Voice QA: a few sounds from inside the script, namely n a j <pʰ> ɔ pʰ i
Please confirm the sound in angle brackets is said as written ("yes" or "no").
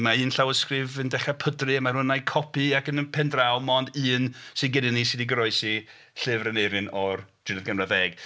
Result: no